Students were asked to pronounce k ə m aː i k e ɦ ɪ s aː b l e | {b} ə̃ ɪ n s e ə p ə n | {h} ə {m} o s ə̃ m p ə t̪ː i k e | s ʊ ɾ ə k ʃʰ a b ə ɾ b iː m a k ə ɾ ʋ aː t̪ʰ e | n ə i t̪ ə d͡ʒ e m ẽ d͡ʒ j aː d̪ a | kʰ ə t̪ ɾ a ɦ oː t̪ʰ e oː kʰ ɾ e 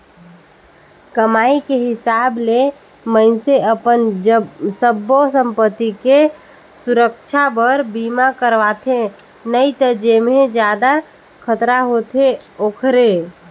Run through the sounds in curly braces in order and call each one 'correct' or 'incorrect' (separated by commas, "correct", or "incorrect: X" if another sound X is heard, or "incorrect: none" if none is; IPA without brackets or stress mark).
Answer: incorrect: m, incorrect: s, incorrect: b